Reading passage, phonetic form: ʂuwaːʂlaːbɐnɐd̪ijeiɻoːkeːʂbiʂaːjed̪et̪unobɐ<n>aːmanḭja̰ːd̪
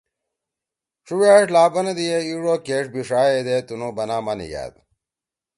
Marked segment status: correct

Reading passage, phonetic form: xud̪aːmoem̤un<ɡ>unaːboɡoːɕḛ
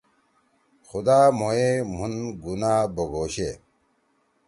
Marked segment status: correct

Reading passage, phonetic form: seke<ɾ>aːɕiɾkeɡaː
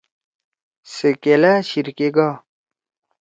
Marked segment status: incorrect: l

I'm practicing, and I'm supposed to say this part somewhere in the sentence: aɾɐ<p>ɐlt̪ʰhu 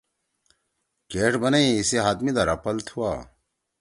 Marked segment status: correct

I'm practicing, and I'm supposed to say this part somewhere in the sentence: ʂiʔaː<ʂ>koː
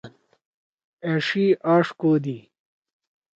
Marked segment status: correct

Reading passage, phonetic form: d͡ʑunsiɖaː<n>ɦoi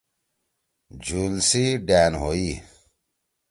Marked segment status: correct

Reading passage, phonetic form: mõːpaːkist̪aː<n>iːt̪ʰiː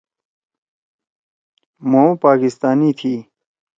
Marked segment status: correct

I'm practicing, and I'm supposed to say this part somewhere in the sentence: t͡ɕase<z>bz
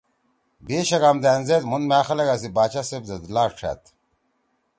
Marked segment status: incorrect: none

